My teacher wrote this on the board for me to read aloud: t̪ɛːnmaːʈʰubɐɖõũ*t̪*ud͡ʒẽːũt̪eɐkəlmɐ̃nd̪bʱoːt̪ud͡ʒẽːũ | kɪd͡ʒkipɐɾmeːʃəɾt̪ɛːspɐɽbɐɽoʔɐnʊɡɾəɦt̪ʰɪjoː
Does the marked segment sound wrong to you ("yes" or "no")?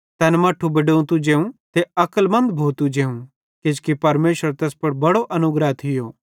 no